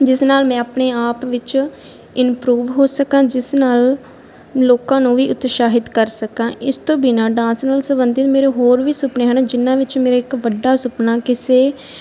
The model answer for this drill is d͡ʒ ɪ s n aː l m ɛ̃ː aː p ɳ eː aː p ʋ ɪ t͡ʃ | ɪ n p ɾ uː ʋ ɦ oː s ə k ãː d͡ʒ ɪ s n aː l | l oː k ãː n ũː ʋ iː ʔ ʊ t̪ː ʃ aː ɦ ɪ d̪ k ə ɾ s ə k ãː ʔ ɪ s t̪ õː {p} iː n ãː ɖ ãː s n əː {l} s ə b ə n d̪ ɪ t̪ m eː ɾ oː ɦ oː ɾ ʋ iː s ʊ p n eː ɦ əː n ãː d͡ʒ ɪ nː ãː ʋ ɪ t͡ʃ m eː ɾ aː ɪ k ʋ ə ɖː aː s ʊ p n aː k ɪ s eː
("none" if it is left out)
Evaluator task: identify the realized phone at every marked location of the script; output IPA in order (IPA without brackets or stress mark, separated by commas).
b, l